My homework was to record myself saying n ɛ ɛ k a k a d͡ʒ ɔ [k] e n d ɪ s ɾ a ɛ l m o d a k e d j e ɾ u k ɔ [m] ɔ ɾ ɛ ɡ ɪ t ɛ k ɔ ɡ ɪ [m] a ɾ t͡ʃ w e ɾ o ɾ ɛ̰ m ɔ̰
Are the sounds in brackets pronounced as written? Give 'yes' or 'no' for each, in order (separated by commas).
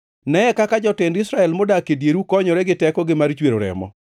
no, no, yes